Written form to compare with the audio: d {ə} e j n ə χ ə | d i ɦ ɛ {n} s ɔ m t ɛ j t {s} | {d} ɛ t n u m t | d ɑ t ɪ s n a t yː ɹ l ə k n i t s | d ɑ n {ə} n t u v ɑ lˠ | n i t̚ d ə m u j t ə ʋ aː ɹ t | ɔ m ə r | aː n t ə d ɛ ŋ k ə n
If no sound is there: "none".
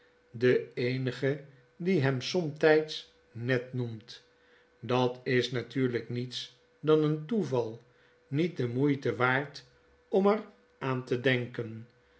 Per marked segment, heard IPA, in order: ə, m, s, n, ə

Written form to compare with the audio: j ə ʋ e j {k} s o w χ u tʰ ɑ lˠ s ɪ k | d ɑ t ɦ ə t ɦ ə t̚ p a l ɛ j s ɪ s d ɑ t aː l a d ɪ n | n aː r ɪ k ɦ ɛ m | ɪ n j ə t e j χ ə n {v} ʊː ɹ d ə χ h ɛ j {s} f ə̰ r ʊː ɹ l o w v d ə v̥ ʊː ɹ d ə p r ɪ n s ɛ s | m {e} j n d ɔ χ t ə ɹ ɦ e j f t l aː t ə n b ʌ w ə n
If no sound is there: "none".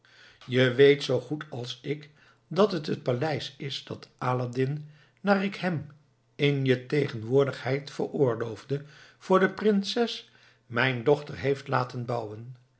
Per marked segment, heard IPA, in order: t, ʋ, t, ɛ

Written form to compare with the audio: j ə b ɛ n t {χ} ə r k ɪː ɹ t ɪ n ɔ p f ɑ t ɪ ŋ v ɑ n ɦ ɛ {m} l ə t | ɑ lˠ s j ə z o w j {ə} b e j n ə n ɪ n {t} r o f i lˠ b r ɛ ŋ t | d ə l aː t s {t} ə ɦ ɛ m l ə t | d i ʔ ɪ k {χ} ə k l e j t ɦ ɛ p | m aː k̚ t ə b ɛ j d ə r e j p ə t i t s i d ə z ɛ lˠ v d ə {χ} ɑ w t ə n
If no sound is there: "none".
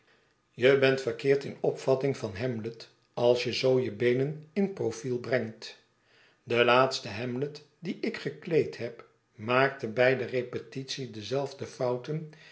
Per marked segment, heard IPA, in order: f, m, ə, p, t, χ, f

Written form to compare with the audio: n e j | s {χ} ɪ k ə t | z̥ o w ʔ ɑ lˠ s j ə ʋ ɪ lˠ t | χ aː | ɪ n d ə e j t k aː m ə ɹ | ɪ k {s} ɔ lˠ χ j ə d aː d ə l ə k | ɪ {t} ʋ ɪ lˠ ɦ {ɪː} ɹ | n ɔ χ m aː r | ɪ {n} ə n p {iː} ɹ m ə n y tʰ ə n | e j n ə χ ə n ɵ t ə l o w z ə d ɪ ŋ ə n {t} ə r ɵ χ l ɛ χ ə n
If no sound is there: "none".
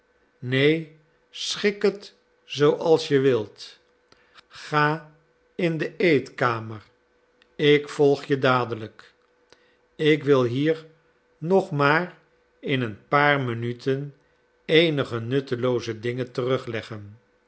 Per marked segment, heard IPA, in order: χ, f, k, iː, n, aː, t

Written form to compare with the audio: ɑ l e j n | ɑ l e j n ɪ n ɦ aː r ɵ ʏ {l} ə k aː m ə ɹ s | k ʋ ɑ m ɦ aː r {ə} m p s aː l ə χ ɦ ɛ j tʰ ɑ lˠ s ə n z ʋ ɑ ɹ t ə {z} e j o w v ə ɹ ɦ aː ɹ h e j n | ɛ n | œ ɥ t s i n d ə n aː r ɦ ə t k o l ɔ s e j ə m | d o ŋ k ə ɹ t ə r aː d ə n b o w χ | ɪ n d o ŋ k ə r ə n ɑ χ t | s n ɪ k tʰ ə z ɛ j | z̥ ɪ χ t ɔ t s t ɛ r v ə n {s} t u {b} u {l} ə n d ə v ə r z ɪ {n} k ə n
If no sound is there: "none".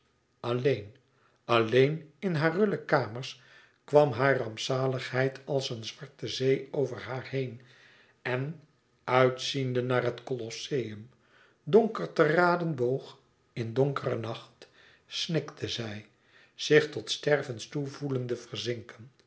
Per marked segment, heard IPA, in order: l, ɑ, z, s, v, l, ŋ

